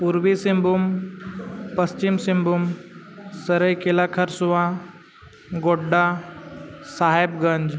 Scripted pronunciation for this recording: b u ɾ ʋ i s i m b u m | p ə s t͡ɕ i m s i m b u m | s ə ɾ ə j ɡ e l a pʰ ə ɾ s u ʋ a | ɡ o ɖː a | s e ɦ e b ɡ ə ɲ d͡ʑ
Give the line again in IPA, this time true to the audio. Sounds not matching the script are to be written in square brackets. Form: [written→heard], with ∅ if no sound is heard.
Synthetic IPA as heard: [b→p] u ɾ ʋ i s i m b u m | p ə s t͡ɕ i m s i m b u m | s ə ɾ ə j [ɡ→k] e l a [pʰ→kʰ] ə ɾ s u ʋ a | ɡ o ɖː a | s [e→a] ɦ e b ɡ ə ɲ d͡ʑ

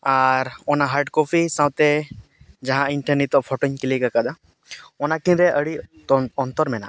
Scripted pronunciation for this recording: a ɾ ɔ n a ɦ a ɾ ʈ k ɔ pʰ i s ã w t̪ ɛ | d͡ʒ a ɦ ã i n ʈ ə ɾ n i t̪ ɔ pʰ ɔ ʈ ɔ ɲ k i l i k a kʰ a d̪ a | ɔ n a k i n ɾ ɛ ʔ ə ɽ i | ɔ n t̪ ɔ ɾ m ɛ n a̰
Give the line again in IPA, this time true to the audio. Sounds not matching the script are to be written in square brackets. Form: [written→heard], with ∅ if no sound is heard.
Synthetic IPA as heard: a ɾ ɔ n a ɦ a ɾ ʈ k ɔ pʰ i s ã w t̪ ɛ | d͡ʒ a ɦ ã i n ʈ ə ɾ n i t̪ ɔ pʰ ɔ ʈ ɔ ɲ k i l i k a [kʰ→k] a d̪ a | ɔ n a k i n ɾ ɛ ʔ ə ɽ i | ɔ n t̪ ɔ ɾ m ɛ n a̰

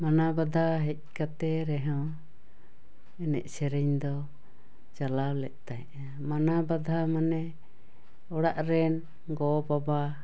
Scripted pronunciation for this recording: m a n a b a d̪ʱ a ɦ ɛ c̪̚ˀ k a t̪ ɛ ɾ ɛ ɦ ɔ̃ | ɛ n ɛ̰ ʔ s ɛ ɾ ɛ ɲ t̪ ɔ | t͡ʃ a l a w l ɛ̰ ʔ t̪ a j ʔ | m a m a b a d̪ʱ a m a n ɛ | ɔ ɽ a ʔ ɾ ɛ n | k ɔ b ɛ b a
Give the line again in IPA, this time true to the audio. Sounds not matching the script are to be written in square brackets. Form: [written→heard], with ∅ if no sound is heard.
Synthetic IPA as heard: m a n a b a d̪ʱ a ɦ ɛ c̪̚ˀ k a t̪ ɛ ɾ ɛ ɦ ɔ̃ | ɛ n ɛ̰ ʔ s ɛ ɾ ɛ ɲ [t̪→d̪] ɔ | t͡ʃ a l a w l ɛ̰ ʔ t̪ a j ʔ | m a [m→n] a b a d̪ʱ a m a n ɛ | ɔ ɽ a ʔ ɾ ɛ n | [k→ɡ] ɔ b [ɛ→a] b a

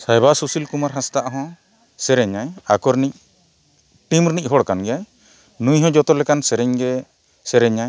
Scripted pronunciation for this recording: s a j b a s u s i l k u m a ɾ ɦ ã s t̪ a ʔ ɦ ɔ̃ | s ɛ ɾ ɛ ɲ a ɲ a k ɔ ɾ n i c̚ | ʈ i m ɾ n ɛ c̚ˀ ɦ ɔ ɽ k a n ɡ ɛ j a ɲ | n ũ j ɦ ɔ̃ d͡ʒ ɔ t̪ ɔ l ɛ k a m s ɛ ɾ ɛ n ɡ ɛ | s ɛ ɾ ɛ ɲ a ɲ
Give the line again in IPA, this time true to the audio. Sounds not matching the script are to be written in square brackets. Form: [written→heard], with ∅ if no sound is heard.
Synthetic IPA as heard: s a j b a s u s i l k u m a ɾ ɦ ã s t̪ a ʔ ɦ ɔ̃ | s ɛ ɾ ɛ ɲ a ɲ a k ɔ ɾ n i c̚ | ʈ i m ɾ n [ɛ→i] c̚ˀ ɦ ɔ ɽ k a n ɡ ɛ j a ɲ | n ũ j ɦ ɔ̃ d͡ʒ ɔ t̪ ɔ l ɛ k a [m→n] s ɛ ɾ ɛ [n→ɲ] ɡ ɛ | s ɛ ɾ ɛ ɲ a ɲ

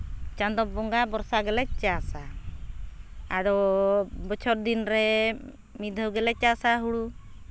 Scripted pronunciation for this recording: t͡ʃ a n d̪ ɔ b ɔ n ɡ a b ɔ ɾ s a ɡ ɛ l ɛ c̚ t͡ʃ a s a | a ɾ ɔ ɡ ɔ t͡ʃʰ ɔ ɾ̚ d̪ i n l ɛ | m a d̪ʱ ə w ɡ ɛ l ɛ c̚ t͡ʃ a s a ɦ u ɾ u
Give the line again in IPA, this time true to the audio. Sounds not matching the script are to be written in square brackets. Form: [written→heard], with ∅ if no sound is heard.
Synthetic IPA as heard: t͡ʃ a n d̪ ɔ b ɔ [n→ŋ] ɡ a b ɔ ɾ s a ɡ ɛ l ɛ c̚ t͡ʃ a s a | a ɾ ɔ [ɡ→b] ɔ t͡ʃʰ ɔ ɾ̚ d̪ i n [l→ɾ] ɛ | m [a→i] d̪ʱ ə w ɡ ɛ l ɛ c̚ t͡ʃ a s a ɦ u [ɾ→ɽ] u

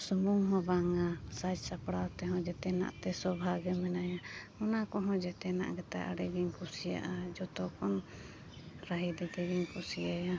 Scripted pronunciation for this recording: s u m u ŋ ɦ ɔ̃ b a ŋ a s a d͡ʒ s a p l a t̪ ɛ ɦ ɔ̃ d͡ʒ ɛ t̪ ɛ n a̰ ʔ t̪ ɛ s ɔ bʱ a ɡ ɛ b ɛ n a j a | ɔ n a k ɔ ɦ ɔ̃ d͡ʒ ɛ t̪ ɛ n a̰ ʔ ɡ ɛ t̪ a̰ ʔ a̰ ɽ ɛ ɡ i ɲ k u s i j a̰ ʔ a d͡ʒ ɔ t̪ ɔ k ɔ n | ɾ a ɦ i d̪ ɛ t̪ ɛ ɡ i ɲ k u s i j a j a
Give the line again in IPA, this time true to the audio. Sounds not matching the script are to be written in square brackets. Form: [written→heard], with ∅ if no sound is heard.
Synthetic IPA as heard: s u m u ŋ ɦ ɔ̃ b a ŋ a s a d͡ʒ s a p [l→ɽ] a t̪ ɛ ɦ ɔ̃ d͡ʒ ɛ t̪ ɛ n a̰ ʔ t̪ ɛ s ɔ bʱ a ɡ ɛ [b→m] ɛ n a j a | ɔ n a k ɔ ɦ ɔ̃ d͡ʒ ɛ t̪ ɛ n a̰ ʔ ɡ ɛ t̪ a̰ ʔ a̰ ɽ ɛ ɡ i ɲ k u s i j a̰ ʔ a d͡ʒ ɔ t̪ ɔ k ɔ n | ɾ a ɦ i d̪ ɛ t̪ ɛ ɡ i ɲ k u s i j a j a

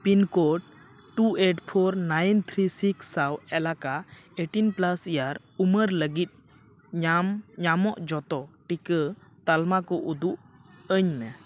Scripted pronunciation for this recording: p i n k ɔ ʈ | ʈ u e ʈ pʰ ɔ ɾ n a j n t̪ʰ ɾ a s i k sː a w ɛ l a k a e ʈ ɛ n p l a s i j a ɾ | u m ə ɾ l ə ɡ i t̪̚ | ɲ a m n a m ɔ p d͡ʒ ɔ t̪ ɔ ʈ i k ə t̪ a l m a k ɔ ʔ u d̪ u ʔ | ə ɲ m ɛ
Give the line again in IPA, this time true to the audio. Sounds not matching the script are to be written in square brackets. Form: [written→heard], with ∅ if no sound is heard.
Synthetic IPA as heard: p i n k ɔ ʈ | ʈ u e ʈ pʰ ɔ ɾ n a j n t̪ʰ ɾ [a→i] s i k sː a w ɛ l a k a e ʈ [ɛ→i] n p l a s i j a ɾ | u m ə ɾ l ə ɡ i t̪̚ | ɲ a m [n→ɲ] a m ɔ [p→ʔ] d͡ʒ ɔ t̪ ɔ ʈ i k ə t̪ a l m a k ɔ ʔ u d̪ u ʔ | ə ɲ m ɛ

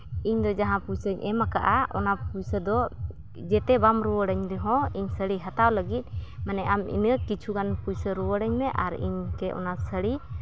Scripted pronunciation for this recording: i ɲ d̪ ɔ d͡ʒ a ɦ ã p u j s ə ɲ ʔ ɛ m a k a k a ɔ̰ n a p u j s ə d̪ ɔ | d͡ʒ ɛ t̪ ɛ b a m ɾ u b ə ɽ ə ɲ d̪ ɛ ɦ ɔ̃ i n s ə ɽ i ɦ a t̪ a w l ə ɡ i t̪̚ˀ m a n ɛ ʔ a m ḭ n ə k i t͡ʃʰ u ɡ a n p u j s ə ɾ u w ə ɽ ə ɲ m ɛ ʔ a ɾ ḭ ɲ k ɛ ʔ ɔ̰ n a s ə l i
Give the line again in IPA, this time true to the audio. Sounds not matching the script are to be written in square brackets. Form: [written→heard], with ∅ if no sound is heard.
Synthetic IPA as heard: i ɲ d̪ ɔ d͡ʒ a ɦ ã p u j s ə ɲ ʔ ɛ m a k a [k→ʔ] a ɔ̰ n a p u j s ə d̪ ɔ | d͡ʒ ɛ t̪ ɛ b a m ɾ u [b→w] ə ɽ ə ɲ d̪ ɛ ɦ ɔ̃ i [n→ɲ] s ə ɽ i ɦ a t̪ a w l ə ɡ i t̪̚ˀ m a n ɛ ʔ a m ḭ n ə k i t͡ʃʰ u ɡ a n p u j s ə ɾ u w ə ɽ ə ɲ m ɛ ʔ a ɾ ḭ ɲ k ɛ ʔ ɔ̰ n a s ə [l→ɽ] i

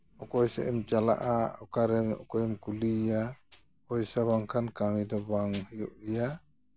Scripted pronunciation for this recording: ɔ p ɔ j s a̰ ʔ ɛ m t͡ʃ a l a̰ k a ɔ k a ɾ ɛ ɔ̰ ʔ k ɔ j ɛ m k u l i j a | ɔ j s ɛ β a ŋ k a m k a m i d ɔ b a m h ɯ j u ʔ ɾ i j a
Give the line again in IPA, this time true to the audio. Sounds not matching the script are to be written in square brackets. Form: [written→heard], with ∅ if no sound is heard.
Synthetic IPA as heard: ɔ [p→k] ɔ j s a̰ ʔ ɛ m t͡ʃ a l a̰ [k→ʔ] a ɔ k a ɾ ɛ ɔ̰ [ʔ→∅] k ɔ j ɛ m k u l i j a | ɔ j s [ɛ→a] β a ŋ [k→kʰ] a [m→n] k a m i d ɔ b a [m→ŋ] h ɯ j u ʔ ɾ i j a

